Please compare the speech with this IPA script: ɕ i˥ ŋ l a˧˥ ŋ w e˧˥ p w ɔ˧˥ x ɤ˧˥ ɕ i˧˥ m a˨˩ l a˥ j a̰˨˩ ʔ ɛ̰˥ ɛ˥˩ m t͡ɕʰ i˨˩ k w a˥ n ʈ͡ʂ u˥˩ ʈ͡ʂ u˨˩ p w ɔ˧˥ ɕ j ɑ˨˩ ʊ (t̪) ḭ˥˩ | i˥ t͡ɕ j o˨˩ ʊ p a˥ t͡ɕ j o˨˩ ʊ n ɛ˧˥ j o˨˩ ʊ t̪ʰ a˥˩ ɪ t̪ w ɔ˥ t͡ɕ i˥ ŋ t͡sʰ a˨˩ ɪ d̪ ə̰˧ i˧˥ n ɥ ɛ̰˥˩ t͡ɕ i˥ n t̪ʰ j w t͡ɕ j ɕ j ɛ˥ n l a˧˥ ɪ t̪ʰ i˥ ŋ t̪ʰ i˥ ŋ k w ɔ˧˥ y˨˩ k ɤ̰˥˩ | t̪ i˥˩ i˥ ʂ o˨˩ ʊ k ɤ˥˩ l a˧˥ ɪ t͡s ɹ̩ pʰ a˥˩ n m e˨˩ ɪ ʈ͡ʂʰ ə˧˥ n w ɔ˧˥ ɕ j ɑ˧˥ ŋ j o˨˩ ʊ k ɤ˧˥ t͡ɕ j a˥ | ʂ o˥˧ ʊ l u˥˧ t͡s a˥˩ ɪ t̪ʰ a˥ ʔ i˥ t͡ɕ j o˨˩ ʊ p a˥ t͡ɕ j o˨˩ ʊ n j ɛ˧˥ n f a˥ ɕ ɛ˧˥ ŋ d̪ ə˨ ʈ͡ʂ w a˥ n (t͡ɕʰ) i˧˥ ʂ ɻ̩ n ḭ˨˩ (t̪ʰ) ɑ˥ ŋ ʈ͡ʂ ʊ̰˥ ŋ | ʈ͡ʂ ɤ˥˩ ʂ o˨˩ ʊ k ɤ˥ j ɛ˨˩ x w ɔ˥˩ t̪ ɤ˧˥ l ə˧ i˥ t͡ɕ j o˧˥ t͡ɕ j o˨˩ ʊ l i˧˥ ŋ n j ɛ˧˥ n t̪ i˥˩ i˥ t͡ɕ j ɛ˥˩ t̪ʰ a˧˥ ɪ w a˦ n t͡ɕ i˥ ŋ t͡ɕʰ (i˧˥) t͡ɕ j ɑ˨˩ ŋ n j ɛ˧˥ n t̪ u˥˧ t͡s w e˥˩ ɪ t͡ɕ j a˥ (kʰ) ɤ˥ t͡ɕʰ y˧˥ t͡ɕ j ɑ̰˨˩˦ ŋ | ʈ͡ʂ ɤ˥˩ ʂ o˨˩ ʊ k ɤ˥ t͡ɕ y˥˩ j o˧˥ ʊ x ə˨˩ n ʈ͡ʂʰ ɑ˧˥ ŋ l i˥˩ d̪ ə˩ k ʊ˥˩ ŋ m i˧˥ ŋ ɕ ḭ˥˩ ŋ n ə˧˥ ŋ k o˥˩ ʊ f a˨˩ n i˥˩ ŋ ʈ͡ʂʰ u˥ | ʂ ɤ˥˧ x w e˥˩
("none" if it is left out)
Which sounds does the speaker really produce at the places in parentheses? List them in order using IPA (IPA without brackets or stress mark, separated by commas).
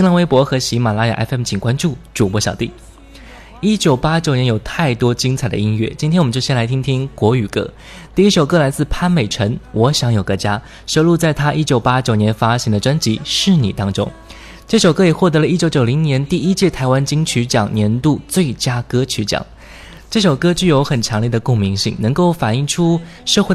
t̪, t͡ɕ, t̪, y˧˥, k